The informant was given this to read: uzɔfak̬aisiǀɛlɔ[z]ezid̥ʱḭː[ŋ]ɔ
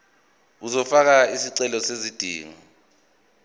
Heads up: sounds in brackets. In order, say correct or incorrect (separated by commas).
incorrect, correct